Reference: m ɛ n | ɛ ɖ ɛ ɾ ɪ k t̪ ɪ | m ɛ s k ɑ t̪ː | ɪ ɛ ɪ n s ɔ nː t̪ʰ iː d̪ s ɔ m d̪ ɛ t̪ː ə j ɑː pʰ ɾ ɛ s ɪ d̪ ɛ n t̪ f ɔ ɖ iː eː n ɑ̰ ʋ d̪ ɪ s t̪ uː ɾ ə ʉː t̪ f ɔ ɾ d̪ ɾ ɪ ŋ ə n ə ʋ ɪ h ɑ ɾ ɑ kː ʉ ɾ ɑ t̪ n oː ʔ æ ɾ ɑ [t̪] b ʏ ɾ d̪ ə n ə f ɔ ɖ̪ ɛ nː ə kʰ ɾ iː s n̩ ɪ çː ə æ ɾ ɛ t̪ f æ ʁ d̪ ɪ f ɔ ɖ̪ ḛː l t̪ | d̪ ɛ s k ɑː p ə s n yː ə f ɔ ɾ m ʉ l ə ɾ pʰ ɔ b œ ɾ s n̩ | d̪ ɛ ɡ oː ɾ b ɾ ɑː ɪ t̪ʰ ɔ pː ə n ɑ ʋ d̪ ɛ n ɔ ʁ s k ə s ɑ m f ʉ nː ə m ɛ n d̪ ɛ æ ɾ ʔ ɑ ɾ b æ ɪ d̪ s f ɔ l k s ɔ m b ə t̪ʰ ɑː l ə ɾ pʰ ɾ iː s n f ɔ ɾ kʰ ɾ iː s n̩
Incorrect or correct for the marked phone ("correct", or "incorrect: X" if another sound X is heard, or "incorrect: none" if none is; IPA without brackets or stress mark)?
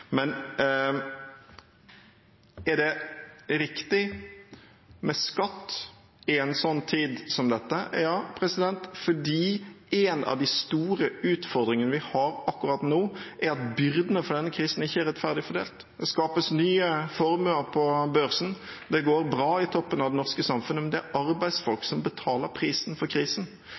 correct